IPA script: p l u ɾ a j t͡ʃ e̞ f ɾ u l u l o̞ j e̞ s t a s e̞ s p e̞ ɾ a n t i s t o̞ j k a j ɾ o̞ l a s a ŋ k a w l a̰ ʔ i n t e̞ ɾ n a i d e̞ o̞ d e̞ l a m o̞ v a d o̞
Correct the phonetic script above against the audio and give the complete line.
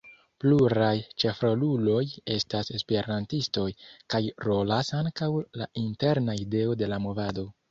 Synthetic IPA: p l u ɾ a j t͡ʃ e̞ f ɾ o l u l o̞ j e̞ s t a s e̞ s p e̞ ɾ a n t i s t o̞ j k a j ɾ o̞ l a s a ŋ k a w l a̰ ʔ i n t e̞ ɾ n a i d e̞ o̞ d e̞ l a m o̞ v a d o̞